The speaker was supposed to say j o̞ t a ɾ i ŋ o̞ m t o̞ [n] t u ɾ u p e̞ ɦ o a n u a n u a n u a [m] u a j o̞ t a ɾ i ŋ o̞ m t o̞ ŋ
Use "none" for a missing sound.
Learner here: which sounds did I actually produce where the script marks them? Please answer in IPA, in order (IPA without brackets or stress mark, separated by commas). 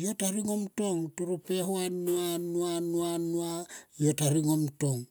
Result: ŋ, n